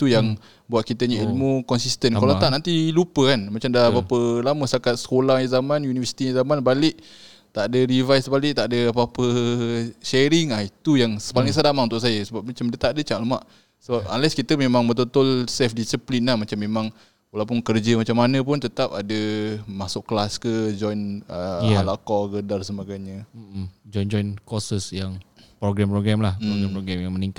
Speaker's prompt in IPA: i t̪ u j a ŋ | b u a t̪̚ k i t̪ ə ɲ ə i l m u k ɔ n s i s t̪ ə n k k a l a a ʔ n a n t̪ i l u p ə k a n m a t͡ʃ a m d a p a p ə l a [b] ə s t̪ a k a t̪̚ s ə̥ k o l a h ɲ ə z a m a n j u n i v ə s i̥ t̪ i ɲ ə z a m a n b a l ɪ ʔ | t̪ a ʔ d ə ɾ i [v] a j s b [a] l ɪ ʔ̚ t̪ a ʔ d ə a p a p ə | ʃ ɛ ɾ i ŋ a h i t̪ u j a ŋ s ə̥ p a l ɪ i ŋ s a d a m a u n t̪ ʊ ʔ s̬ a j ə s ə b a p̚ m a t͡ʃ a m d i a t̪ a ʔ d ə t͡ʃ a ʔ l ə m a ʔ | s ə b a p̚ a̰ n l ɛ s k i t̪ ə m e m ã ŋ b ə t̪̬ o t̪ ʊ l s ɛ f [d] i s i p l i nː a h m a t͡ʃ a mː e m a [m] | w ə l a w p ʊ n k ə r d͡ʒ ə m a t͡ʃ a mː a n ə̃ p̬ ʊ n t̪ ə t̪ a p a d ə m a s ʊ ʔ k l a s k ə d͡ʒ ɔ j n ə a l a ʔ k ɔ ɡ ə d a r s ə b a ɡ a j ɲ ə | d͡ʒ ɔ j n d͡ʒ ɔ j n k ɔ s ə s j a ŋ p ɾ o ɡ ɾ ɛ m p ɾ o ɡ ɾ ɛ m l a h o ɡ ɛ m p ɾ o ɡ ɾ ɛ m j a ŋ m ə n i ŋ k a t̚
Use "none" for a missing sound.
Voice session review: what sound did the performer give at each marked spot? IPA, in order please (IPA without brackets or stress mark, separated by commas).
m, v, a, d, ŋ